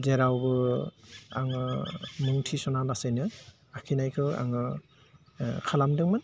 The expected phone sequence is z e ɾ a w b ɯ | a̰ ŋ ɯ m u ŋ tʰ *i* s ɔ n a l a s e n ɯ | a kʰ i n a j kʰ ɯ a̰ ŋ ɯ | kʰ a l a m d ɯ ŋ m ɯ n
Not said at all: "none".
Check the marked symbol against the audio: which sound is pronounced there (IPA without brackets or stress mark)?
i